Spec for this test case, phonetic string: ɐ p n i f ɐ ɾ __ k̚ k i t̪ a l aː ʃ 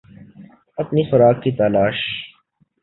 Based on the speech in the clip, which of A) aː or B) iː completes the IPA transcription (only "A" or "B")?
A